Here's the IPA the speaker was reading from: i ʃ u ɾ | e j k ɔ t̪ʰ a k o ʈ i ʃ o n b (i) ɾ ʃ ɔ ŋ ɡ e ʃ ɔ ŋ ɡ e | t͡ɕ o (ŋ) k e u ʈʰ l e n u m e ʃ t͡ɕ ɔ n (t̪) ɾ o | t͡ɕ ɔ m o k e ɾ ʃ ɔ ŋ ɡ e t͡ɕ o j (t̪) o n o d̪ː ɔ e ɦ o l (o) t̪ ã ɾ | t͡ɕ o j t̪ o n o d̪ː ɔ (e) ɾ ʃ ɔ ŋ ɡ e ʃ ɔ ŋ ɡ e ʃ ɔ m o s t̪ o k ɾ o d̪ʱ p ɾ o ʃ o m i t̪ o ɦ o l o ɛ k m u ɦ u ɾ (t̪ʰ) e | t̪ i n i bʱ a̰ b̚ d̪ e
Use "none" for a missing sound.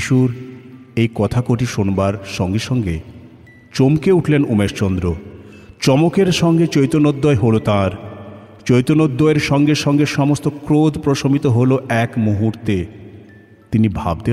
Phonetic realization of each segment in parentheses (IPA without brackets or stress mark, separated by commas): a, m, d̪, t̪, o, e, t̪